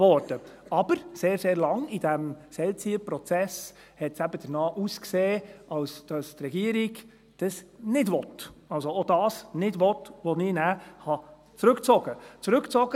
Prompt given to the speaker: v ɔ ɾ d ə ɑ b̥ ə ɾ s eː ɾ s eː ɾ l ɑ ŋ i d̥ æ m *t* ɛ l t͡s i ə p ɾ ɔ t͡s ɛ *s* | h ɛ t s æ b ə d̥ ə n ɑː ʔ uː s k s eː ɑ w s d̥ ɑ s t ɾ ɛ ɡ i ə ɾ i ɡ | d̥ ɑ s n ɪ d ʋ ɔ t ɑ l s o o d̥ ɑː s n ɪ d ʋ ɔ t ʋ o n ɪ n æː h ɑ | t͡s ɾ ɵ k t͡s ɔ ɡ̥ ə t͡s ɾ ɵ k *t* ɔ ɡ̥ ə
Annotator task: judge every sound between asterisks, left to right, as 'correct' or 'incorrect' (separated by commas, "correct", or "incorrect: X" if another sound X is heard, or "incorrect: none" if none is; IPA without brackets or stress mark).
incorrect: s, correct, incorrect: t͡s